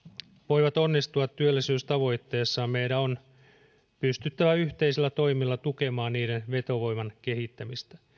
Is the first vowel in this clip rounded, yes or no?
yes